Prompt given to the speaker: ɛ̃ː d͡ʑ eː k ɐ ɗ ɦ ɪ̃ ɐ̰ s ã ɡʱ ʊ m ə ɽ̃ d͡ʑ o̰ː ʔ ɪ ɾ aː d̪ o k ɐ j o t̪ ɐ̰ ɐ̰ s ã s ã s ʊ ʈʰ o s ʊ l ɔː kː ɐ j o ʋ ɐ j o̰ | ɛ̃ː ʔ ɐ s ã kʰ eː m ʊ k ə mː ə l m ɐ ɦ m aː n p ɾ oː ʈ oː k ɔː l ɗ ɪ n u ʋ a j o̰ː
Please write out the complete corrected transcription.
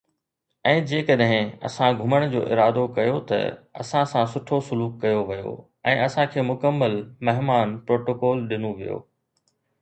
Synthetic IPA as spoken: ɛ̃ː d͡ʑ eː k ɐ ɗ ɦ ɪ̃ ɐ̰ s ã ɡʱ ʊ m ə ɽ̃ d͡ʑ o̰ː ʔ ɪ ɾ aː d̪ o k ɐ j o t̪ ɐ̰ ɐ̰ s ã s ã s ʊ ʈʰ o s ʊ l uː kː ɐ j o ʋ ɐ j o̰ | ɛ̃ː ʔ ɐ s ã kʰ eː m ʊ k ə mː ə l m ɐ ɦ m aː n p ɾ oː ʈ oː k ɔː l ɗ ɪ n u ʋ i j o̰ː